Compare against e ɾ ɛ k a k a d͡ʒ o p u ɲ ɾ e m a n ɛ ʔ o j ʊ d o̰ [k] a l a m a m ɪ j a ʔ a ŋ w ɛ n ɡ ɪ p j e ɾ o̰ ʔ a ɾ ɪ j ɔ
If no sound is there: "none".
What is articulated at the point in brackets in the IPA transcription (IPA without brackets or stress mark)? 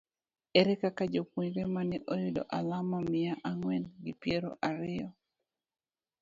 ʔ